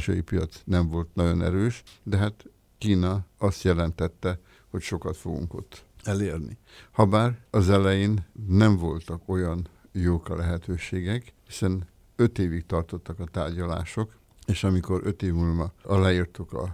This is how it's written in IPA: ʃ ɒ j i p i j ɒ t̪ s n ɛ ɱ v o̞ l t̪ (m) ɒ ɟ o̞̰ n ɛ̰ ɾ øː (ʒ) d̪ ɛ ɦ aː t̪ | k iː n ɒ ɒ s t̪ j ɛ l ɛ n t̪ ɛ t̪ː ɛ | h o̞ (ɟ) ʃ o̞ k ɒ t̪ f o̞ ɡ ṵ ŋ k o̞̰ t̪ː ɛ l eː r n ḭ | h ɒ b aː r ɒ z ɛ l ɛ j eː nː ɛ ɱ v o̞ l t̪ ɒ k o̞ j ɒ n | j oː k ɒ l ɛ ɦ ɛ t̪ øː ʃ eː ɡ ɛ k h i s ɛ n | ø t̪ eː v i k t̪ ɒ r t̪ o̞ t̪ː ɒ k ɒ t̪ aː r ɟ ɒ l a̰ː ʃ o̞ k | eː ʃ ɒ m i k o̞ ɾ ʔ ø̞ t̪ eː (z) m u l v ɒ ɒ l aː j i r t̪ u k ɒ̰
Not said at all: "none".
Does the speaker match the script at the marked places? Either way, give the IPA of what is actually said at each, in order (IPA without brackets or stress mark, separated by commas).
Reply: n, ʃ, c, v